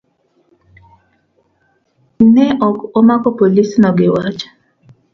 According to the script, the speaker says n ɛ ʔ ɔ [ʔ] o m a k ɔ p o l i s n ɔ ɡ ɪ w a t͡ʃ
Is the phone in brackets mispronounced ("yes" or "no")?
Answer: yes